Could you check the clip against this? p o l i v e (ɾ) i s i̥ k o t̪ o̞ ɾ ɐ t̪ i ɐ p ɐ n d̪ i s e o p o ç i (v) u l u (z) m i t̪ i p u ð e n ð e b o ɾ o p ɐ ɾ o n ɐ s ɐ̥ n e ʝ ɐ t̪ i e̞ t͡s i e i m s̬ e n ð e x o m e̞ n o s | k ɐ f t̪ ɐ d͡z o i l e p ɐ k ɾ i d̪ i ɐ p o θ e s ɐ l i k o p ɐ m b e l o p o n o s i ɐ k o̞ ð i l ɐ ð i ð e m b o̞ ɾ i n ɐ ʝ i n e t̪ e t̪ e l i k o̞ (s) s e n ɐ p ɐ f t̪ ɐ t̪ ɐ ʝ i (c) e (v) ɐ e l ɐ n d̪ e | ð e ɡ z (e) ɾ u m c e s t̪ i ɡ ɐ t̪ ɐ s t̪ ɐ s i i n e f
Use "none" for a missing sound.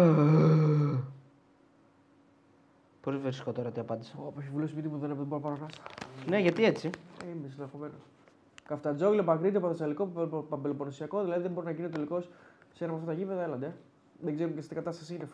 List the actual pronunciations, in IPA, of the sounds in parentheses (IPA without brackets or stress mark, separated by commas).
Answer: ɾ, v, s, s, p, ð, e